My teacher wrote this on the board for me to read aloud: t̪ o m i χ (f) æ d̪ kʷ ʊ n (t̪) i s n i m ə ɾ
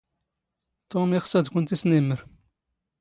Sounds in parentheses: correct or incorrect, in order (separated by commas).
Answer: incorrect, correct